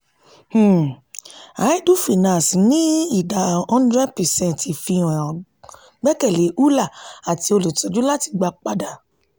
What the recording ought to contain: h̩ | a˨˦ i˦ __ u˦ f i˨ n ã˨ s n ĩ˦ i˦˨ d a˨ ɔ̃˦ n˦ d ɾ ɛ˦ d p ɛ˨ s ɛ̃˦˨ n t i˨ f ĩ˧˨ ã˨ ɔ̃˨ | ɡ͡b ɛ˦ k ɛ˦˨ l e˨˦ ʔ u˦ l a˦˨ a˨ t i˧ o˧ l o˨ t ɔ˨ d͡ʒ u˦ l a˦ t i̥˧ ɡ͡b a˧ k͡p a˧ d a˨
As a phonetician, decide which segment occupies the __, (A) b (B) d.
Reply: B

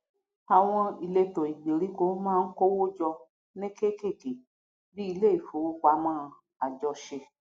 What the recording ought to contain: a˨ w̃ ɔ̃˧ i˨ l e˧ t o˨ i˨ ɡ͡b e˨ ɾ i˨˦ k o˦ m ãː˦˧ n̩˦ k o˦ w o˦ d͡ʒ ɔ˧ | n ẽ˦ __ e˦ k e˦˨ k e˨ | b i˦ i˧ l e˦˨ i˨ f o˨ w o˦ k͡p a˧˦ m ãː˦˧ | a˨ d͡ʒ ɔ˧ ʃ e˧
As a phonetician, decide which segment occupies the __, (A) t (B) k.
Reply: B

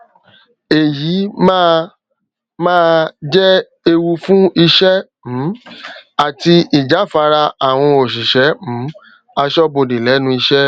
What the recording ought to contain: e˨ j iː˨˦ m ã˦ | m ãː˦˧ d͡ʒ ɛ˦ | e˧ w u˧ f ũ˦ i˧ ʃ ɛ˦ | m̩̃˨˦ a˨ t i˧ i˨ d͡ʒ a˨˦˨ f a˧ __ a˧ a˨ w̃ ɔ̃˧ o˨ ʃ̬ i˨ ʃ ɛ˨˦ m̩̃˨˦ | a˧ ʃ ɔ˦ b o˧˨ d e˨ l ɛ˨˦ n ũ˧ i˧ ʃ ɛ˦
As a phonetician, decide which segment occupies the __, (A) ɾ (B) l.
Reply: A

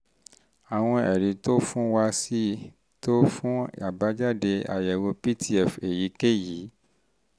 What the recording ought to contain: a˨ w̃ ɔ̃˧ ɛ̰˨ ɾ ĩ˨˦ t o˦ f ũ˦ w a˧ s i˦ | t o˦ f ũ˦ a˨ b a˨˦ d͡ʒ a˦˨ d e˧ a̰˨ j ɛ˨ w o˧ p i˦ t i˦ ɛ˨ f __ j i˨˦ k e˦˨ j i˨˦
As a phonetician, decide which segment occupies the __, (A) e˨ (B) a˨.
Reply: A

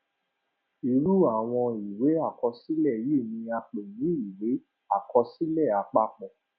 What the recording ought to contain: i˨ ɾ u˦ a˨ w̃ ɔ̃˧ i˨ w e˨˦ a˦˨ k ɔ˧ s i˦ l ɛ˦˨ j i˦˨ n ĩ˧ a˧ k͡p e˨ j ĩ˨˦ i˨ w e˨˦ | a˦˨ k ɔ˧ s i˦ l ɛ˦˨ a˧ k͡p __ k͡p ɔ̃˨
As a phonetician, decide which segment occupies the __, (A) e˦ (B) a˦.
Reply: B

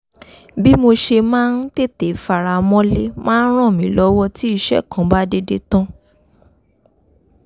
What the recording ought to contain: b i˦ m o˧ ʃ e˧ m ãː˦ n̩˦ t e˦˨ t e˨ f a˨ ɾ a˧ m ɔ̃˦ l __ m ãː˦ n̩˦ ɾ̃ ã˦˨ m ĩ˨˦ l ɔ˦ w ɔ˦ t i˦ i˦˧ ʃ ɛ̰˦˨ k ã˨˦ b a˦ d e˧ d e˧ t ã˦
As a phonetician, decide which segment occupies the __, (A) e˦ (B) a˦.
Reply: A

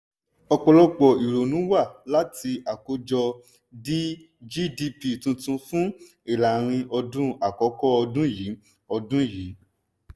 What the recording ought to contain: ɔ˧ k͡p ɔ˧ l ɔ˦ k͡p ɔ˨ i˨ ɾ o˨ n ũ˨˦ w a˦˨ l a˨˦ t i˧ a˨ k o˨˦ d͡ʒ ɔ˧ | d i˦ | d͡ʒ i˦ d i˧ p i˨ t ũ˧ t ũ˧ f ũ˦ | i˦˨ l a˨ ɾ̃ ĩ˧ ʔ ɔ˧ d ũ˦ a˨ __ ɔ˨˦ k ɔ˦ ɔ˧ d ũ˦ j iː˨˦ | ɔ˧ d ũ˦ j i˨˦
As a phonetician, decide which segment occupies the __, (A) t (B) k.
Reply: B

